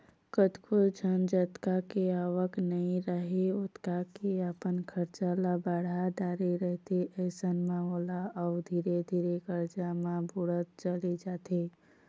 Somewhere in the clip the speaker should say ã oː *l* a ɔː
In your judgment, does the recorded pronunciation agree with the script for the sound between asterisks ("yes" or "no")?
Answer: yes